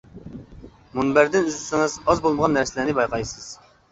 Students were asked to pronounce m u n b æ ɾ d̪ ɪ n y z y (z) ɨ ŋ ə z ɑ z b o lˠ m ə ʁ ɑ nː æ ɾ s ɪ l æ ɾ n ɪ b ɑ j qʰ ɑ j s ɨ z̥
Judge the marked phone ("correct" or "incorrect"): incorrect